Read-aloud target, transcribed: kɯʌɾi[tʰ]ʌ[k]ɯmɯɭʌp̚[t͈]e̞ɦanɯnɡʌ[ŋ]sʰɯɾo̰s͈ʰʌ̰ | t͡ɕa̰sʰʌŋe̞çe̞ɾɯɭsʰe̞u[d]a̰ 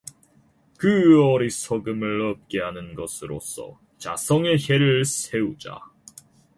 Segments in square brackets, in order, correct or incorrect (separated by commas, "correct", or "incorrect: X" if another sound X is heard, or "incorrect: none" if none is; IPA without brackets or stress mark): incorrect: sʰ, incorrect: ɡ, incorrect: k͈, incorrect: none, incorrect: d͡ʑ